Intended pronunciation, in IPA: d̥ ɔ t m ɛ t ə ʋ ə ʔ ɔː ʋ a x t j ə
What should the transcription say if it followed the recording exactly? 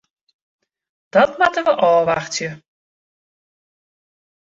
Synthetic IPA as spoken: d̥ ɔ t m a t ə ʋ ə ʔ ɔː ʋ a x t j ə